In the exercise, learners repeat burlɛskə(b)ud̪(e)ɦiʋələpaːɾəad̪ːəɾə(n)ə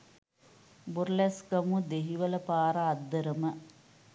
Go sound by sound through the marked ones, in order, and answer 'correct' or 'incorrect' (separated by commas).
incorrect, correct, incorrect